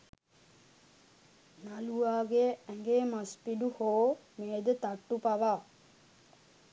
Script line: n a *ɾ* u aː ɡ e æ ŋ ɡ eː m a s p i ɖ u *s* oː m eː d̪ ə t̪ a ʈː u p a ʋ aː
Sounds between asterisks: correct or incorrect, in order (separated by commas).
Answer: incorrect, incorrect